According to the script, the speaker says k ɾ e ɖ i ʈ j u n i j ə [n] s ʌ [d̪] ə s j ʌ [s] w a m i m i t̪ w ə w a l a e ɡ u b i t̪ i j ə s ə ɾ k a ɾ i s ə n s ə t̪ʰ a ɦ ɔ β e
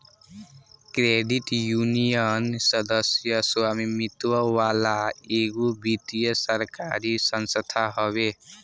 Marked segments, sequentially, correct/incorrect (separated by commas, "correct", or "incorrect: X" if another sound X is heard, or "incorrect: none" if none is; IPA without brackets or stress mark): correct, correct, correct